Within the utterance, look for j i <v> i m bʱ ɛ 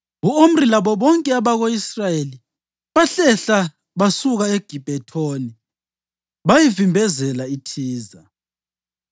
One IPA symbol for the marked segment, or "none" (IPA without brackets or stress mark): v